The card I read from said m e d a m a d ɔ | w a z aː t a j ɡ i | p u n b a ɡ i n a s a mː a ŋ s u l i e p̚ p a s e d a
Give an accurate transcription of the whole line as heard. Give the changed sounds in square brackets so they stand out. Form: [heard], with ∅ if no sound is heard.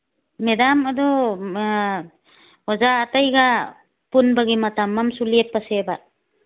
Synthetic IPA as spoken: m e d a m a d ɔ | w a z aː t a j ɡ [a] | p u n b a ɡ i [m] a [t] a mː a [m] s u l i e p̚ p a s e [b] a